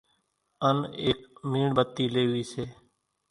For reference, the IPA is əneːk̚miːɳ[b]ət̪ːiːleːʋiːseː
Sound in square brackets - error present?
no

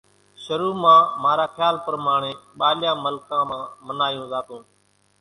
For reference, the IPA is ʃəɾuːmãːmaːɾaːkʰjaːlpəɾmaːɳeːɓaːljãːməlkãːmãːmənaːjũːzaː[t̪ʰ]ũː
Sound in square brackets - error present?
yes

